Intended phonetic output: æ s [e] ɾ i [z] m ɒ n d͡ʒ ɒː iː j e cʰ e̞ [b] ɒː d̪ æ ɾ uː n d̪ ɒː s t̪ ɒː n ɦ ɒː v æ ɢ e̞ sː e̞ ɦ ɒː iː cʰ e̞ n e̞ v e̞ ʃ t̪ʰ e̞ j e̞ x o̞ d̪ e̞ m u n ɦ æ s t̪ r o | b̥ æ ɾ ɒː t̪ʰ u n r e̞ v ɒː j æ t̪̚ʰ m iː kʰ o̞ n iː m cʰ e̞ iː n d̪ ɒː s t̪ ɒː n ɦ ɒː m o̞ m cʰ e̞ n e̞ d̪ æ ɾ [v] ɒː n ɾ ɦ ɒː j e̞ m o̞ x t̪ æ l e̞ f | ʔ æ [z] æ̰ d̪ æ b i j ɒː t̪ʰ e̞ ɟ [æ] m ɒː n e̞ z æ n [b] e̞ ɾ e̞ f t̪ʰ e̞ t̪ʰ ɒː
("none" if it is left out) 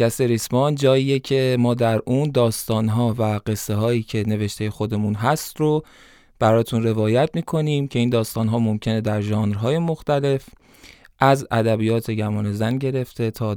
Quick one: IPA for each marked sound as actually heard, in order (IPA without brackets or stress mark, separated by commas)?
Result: e, s, m, ʒ, z, æ, ɟ